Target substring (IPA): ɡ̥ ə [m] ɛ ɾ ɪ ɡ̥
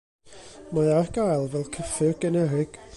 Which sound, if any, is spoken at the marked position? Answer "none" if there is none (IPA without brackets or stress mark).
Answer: n